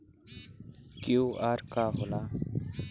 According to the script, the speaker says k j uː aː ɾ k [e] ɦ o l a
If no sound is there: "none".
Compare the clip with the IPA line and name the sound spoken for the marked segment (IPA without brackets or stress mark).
a